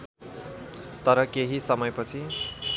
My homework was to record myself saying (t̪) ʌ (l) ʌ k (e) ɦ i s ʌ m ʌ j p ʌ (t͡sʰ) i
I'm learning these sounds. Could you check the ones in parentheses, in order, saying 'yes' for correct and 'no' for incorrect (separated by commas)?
yes, no, yes, yes